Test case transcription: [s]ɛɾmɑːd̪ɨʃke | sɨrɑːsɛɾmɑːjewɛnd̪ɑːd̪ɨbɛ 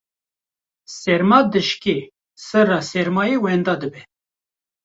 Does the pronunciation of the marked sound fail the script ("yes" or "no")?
no